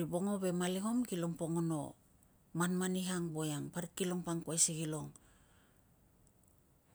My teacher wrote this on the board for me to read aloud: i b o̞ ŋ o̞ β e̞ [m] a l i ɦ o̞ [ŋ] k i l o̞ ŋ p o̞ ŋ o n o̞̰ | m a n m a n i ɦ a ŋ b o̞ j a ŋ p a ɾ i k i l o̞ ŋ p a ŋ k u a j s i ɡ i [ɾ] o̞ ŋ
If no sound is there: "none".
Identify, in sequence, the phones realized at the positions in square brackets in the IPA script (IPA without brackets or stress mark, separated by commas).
m, m, l